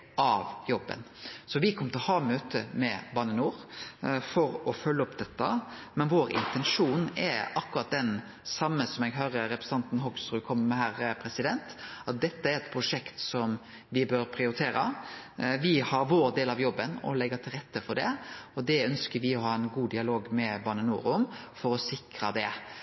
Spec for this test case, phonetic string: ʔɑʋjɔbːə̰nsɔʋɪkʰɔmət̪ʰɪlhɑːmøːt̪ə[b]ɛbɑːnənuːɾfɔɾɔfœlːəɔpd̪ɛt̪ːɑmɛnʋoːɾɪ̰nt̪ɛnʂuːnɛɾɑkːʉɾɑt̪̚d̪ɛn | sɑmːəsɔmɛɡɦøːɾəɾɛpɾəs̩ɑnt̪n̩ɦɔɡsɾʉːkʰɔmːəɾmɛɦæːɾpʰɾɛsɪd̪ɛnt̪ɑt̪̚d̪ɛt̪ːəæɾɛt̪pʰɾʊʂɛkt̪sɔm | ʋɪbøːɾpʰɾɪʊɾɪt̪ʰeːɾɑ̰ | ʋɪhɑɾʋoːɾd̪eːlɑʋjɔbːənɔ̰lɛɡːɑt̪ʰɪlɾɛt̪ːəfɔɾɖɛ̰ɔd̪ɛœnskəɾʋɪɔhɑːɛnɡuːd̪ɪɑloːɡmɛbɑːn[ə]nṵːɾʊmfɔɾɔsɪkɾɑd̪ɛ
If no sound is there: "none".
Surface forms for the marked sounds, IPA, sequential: m, ə

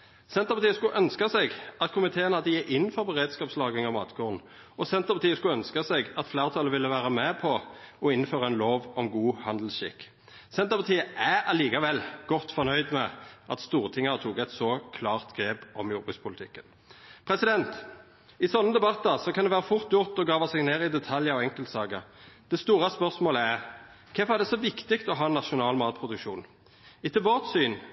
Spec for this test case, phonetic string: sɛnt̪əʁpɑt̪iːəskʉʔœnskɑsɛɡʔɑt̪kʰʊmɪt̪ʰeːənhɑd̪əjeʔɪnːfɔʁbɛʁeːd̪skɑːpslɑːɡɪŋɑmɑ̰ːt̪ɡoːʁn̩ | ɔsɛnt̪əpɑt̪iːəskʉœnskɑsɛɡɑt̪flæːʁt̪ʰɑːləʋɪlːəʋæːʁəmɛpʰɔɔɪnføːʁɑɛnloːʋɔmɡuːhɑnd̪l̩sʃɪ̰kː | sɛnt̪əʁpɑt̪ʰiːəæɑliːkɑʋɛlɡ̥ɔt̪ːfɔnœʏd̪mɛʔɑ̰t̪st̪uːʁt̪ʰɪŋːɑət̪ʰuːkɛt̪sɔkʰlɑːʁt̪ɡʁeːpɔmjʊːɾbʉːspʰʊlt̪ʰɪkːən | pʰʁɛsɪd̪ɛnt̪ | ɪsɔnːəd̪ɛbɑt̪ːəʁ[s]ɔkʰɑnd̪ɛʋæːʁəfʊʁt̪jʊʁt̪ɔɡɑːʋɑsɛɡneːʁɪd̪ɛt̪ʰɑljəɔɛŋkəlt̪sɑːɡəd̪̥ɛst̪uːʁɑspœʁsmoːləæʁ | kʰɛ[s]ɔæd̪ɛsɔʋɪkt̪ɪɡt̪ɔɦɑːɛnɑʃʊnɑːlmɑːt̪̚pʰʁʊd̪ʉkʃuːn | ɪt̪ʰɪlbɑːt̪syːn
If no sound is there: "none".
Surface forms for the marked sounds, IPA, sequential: s, f

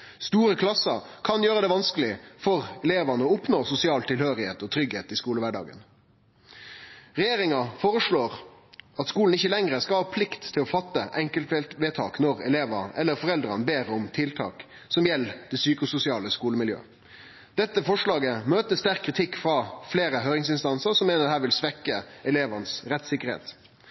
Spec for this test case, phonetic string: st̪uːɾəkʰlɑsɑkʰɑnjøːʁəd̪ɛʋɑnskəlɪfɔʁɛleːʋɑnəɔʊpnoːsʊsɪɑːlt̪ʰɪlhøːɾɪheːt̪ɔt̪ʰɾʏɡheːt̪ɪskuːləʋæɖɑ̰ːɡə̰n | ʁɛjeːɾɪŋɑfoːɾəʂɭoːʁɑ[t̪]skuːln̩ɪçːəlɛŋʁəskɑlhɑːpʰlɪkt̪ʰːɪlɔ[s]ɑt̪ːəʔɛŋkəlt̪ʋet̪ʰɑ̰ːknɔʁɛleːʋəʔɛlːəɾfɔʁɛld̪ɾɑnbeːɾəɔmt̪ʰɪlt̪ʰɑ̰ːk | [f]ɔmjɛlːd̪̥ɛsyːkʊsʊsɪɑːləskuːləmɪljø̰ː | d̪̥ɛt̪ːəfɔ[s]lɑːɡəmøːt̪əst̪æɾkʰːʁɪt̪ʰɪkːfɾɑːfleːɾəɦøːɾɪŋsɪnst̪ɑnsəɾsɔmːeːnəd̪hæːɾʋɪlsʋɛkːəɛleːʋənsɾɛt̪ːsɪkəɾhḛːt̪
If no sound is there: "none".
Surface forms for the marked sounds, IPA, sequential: t̪, f, s, ʂ

